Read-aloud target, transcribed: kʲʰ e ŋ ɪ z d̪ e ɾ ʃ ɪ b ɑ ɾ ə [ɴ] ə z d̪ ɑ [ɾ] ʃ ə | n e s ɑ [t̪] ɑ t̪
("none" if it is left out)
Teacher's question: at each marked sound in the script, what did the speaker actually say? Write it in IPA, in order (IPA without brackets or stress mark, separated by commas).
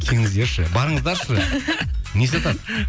ɴ, ɾ, t̪